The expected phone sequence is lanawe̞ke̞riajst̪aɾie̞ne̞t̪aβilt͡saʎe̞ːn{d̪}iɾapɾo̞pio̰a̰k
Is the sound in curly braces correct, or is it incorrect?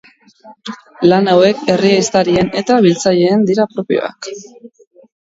correct